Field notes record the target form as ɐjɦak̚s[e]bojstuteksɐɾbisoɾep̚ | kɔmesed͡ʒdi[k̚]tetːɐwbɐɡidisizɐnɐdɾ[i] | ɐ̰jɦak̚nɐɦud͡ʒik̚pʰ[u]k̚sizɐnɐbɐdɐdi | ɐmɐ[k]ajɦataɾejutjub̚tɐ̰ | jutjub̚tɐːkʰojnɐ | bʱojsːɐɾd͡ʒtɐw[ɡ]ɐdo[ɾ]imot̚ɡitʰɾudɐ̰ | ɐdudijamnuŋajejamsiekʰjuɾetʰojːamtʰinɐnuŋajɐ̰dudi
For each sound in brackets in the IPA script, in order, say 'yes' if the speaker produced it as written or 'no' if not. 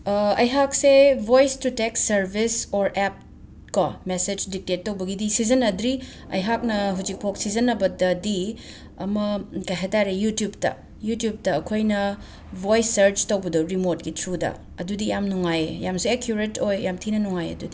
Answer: yes, yes, yes, no, yes, no, yes

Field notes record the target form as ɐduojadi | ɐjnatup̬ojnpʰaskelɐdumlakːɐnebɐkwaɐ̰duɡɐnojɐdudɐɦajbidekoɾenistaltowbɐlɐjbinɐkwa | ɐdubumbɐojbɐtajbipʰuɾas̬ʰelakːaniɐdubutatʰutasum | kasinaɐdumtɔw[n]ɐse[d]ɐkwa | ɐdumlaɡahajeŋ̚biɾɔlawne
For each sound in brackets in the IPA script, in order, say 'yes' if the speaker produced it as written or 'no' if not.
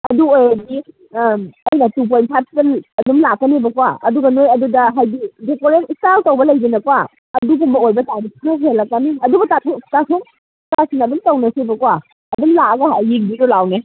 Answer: yes, no

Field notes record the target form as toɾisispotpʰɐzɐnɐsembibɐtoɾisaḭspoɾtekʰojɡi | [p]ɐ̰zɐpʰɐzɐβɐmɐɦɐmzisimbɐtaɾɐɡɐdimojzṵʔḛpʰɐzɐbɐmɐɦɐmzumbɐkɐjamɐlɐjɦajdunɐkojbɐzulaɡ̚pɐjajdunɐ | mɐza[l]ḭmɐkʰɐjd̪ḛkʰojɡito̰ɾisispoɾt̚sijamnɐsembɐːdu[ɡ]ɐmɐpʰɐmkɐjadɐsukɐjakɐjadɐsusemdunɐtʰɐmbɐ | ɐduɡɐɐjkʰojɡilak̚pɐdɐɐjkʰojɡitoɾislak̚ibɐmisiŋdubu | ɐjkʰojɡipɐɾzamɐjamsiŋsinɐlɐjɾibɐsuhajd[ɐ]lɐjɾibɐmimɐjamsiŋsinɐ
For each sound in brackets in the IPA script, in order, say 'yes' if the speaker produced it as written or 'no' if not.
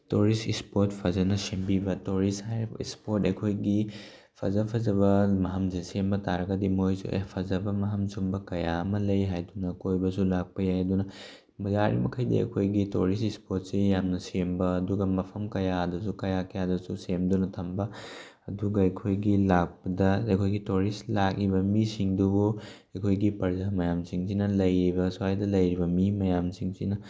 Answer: no, no, yes, yes

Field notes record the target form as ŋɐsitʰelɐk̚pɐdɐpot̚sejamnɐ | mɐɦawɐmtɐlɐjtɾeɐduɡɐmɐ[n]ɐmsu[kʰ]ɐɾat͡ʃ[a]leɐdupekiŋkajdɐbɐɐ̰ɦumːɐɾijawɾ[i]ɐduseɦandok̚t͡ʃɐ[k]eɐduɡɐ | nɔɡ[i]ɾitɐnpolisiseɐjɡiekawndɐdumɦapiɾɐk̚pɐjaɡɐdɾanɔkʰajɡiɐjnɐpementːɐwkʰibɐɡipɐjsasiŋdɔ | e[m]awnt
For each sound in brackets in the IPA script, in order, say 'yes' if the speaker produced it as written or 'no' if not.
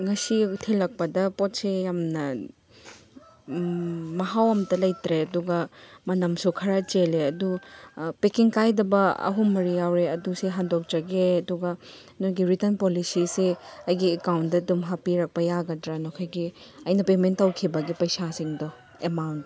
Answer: yes, yes, no, no, no, yes, yes

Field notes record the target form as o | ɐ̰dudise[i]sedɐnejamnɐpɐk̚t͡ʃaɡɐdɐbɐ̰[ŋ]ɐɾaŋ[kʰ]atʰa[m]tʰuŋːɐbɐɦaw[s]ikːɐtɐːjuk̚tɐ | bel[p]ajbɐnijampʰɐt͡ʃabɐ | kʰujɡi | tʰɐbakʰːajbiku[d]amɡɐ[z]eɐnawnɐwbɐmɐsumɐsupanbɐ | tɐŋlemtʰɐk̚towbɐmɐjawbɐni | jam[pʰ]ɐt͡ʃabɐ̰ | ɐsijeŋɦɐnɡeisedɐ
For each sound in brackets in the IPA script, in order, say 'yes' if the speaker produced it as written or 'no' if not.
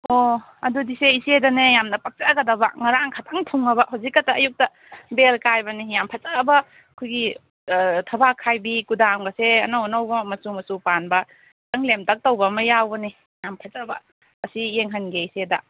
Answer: yes, yes, yes, no, no, no, yes, no, yes

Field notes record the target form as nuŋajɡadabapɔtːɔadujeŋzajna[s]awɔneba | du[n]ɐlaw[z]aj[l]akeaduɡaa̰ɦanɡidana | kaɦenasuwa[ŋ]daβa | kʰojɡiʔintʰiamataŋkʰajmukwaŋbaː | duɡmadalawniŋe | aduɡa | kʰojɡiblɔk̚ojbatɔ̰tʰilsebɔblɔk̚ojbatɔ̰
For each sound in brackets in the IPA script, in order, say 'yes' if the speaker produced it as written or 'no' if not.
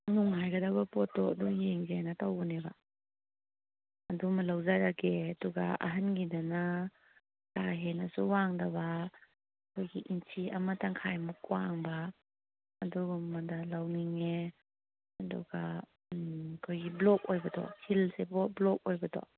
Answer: no, no, yes, no, yes

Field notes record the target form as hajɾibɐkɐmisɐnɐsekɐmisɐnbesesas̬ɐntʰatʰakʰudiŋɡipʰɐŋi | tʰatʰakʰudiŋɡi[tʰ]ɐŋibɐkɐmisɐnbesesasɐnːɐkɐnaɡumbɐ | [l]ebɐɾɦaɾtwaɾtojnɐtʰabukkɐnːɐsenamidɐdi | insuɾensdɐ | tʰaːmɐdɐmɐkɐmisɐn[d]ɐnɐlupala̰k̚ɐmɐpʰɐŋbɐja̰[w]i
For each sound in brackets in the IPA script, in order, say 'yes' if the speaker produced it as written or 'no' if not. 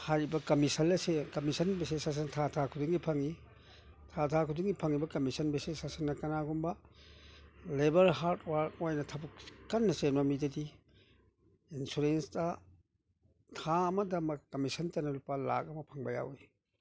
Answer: no, yes, no, yes

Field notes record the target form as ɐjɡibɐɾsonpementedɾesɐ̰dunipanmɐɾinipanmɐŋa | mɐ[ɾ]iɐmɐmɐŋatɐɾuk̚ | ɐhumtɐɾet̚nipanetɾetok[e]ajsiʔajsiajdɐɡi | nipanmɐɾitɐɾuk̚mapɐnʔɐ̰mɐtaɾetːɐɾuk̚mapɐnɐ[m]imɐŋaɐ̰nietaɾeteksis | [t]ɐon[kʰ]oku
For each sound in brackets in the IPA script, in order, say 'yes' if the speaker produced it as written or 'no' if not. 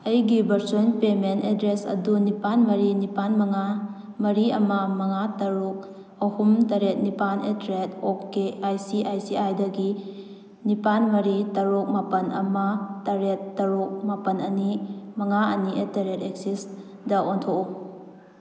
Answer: yes, yes, no, no, no

